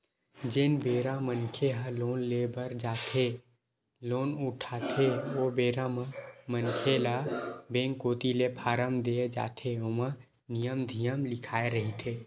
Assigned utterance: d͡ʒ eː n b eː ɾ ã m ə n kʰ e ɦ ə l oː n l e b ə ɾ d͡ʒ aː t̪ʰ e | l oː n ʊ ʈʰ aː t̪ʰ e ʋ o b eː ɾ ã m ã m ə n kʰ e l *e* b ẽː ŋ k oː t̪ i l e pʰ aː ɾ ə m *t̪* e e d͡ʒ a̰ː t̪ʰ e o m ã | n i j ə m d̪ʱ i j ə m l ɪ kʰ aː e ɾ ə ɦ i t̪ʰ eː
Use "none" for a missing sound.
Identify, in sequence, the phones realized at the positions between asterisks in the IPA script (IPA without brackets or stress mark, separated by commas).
a, d̪